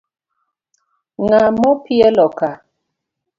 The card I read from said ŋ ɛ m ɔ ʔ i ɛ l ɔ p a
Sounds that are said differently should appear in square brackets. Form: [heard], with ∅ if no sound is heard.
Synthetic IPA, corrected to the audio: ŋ [a] m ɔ [p] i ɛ l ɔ [k] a